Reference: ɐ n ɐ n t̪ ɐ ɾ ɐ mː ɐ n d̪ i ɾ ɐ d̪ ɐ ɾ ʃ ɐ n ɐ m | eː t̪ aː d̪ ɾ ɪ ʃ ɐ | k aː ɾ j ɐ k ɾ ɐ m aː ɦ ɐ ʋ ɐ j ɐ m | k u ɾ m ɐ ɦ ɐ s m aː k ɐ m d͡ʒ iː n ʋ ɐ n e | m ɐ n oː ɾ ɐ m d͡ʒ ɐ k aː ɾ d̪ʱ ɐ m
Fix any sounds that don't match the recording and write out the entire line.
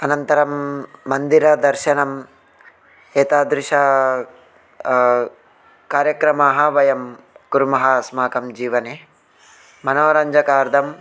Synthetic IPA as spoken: ɐ n ɐ n t̪ ɐ ɾ ɐ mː ɐ n d̪ i ɾ ɐ d̪ ɐ ɾ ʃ ɐ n ɐ m | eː t̪ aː d̪ ɾ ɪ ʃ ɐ | k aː ɾ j ɐ k ɾ ɐ m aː ɦ ɐ ʋ ɐ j ɐ m | k u ɾ m ɐ ɦ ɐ s m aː k ɐ m d͡ʒ iː ʋ ɐ n e | m ɐ n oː ɾ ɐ ɲ d͡ʒ ɐ k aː ɾ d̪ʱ ɐ m